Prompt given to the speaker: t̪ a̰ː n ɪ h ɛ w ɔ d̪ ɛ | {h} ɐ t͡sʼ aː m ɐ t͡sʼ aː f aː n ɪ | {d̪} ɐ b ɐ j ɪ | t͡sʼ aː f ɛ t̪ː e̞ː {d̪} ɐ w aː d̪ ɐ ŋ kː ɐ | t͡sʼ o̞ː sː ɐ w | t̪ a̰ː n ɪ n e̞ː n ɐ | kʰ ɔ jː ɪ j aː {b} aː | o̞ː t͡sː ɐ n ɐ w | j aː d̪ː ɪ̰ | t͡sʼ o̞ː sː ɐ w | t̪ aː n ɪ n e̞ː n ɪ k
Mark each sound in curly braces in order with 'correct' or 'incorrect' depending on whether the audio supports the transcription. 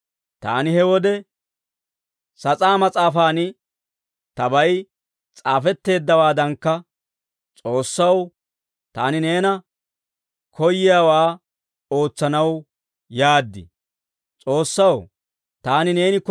incorrect: s, incorrect: t̪, incorrect: d̪ː, incorrect: w

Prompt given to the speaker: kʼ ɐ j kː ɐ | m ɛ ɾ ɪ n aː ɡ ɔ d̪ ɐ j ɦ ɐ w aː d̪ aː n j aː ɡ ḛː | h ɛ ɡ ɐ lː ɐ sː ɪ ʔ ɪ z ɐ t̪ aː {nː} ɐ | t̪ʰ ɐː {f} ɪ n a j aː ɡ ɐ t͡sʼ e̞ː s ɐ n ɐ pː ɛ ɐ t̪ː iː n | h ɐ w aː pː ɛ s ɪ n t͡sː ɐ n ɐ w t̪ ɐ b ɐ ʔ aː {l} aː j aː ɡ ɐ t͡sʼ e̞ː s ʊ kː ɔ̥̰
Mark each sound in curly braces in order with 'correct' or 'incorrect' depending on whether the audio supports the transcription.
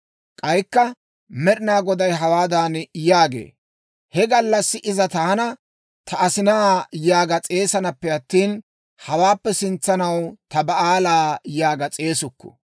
incorrect: n, incorrect: s, correct

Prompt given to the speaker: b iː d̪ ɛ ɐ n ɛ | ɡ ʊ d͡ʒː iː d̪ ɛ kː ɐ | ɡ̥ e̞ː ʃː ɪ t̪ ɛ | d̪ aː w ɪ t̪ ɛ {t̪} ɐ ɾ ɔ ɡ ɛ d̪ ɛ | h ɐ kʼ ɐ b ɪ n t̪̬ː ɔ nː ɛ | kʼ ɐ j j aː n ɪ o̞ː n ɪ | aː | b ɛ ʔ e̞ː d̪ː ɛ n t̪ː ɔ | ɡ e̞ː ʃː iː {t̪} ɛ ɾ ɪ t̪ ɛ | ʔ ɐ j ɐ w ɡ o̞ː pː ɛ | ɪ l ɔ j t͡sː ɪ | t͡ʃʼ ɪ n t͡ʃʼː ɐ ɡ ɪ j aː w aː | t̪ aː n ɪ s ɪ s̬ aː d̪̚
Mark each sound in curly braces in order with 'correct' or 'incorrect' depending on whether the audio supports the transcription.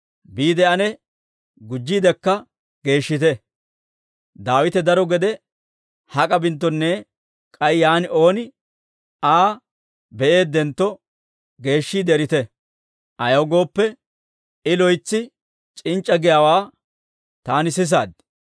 incorrect: d̪, incorrect: d̪

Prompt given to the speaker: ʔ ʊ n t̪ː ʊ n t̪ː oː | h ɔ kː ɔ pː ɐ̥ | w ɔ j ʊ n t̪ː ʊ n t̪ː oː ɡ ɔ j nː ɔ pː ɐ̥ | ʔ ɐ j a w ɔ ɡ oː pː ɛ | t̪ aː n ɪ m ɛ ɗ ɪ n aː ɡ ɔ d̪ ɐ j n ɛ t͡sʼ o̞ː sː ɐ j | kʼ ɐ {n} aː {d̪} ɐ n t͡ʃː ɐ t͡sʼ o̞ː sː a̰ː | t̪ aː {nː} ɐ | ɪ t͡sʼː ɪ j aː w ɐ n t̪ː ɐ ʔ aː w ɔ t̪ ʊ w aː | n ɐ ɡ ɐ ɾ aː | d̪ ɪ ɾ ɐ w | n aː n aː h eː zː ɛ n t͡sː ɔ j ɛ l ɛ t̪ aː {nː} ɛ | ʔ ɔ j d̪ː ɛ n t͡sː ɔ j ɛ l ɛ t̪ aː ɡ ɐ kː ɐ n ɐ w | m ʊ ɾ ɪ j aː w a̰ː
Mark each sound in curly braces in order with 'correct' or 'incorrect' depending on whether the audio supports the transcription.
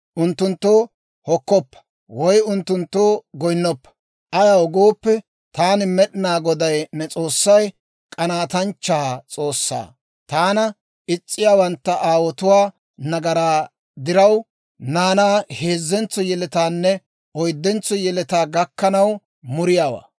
correct, incorrect: t̪, incorrect: n, correct

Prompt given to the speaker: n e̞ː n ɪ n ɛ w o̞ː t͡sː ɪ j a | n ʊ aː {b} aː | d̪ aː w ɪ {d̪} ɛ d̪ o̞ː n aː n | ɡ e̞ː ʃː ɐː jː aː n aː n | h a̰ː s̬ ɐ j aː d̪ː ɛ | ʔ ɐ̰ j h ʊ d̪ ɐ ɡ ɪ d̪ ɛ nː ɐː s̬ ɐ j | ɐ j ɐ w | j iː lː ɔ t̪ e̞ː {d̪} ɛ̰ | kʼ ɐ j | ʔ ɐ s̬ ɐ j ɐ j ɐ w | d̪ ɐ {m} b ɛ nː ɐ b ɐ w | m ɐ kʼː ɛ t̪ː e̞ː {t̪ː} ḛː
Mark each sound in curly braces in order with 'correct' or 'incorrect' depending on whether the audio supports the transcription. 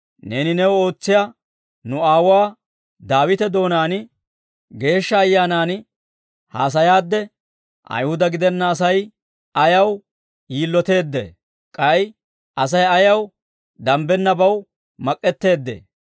incorrect: w, incorrect: t̪, incorrect: d̪ː, correct, incorrect: d̪ː

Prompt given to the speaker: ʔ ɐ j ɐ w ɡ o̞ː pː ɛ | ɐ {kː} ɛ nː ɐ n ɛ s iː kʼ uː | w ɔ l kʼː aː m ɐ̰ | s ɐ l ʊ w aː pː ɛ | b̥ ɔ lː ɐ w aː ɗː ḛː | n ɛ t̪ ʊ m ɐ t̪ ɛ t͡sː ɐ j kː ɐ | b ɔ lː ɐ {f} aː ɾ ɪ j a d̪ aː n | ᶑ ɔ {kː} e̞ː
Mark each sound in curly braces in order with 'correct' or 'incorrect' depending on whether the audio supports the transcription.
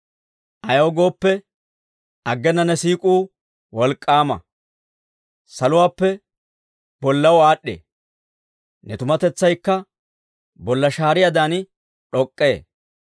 incorrect: ɡː, incorrect: ʃ, incorrect: kʼː

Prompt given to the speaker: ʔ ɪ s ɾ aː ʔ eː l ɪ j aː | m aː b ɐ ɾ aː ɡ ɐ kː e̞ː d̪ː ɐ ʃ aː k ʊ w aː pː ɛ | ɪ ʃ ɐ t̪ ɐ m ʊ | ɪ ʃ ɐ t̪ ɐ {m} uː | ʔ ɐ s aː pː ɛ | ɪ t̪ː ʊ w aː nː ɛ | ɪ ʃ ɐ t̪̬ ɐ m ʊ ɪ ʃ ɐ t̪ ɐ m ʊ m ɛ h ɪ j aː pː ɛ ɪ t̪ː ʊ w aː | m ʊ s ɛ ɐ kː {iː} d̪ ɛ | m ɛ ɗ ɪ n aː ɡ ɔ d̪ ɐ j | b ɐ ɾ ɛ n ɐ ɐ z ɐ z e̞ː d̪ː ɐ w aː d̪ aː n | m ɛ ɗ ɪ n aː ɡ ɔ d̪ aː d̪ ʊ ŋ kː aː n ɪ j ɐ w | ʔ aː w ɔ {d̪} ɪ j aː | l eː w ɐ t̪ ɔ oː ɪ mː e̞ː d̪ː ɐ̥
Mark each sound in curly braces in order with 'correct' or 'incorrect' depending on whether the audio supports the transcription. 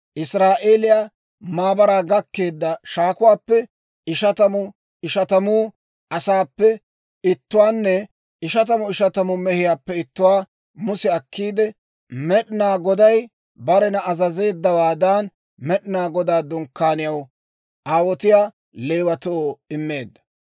correct, correct, incorrect: t̪

